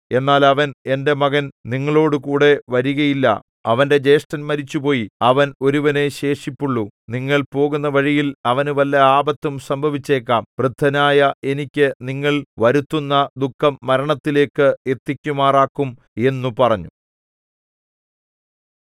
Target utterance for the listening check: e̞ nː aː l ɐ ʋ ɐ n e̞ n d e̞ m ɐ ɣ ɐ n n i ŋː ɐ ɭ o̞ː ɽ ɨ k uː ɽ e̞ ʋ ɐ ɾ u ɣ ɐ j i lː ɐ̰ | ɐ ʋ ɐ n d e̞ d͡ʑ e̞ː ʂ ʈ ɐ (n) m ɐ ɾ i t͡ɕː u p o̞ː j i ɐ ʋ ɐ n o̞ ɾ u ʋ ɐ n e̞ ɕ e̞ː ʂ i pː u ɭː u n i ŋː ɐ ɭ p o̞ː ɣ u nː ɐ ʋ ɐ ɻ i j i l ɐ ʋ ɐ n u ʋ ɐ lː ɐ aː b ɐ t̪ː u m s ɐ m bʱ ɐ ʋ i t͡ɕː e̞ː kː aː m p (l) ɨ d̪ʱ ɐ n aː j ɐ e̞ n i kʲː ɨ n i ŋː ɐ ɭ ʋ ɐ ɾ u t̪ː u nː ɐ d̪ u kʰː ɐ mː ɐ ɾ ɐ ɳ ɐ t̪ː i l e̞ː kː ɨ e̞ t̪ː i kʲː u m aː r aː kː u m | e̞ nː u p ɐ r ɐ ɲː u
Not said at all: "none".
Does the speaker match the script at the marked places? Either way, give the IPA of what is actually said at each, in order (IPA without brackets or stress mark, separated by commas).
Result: n, r